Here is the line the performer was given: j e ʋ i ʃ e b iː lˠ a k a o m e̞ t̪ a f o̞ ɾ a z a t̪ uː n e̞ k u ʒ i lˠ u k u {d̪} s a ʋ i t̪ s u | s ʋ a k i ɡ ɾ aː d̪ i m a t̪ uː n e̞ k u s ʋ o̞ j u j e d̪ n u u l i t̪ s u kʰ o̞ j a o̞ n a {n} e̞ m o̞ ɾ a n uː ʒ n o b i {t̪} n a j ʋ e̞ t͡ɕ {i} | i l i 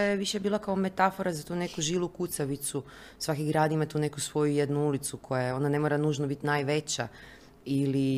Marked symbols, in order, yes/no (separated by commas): no, yes, yes, no